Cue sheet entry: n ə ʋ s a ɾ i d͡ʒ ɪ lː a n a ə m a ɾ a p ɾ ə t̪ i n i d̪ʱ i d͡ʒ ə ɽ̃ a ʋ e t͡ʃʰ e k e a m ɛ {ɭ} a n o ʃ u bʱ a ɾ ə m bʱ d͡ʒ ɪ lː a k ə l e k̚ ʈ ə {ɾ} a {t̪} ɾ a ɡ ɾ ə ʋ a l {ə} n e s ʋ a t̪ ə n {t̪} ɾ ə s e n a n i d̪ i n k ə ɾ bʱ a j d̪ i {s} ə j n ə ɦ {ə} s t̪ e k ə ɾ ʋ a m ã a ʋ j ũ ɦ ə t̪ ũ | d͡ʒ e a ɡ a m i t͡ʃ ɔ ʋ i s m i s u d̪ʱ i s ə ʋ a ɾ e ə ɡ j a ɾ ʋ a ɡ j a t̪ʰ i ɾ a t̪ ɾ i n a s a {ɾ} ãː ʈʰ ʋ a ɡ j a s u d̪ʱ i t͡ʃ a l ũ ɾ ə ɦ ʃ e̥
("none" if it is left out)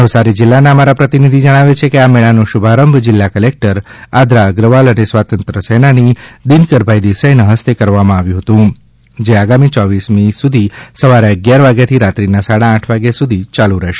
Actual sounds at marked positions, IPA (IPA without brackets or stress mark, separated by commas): ɭ, ɾ, d̪, ə, t̪, s, ə, ɽ